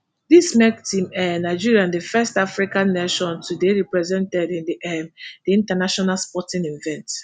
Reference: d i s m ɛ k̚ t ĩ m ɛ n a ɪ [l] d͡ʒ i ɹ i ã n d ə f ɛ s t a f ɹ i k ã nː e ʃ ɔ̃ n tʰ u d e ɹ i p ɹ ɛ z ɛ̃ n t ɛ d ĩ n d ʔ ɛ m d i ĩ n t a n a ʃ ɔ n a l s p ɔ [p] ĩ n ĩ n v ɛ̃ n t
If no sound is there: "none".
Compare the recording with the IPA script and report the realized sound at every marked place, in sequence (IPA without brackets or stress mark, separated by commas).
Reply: none, t